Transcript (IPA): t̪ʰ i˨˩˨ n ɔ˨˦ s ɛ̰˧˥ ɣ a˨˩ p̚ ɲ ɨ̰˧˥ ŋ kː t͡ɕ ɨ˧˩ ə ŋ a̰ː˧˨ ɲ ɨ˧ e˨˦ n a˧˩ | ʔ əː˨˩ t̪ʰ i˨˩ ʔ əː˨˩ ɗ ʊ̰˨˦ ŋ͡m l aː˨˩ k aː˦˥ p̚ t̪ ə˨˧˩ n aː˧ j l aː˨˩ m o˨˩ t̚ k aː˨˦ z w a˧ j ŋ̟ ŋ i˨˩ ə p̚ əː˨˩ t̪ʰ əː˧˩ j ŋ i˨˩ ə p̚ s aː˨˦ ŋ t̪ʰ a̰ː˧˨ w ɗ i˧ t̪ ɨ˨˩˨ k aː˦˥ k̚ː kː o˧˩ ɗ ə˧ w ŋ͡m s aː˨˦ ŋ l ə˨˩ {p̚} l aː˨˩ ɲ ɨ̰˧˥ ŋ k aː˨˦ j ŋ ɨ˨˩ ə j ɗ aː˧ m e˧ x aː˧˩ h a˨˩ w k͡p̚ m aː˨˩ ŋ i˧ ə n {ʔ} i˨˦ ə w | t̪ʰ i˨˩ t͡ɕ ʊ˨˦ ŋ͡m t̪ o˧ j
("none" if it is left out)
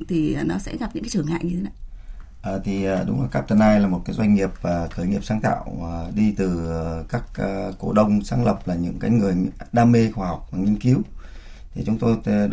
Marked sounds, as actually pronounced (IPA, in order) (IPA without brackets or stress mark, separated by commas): p̚, k